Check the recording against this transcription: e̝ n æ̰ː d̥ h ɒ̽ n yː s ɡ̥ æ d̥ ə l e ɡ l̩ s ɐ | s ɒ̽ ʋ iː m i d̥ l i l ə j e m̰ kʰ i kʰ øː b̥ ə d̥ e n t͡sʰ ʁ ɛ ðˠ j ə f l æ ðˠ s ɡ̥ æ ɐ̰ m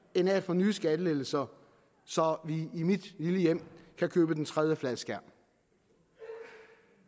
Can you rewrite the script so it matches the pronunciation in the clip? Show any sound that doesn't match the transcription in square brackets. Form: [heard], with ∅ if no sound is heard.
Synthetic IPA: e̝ n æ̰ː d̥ [f] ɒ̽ n yː s ɡ̥ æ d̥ ə l e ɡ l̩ s ɐ | s ɒ̽ ʋ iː m i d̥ l i l ə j e m̰ kʰ [æ] kʰ øː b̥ ə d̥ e n t͡sʰ ʁ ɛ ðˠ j ə f l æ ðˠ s ɡ̥ æ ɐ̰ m

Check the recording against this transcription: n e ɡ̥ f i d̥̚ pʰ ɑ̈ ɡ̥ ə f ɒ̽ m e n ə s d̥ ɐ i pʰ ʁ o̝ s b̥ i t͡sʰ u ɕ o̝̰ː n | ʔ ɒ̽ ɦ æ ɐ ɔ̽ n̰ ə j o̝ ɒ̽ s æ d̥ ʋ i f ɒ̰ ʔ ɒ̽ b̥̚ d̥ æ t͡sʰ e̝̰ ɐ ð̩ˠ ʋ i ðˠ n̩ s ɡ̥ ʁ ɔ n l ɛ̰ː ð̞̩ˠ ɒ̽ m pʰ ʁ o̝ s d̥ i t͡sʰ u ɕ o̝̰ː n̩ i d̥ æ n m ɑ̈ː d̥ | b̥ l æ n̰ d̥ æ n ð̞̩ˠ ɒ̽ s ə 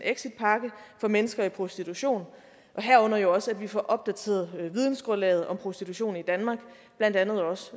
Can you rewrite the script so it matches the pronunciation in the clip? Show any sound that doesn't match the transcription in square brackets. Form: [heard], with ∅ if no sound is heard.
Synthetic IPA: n e ɡ̥ [s] i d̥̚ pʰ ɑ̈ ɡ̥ ə f ɒ̽ m e n ə s [ɡ̥] ɐ i pʰ ʁ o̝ s [d̥] i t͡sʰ u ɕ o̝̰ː n | ʔ ɒ̽ ɦ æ ɐ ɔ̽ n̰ [ɐ] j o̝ ɒ̽ s æ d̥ ʋ i f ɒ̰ ʔ ɒ̽ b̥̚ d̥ æ t͡sʰ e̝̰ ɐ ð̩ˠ ʋ i ðˠ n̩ s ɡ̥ ʁ ɔ n l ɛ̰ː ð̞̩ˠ ɒ̽ m pʰ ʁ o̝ s d̥ i t͡sʰ u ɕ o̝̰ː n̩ i d̥ æ n m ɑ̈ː [ɡ̥] | b̥ l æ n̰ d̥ æ n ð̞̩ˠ ɒ̽ s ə

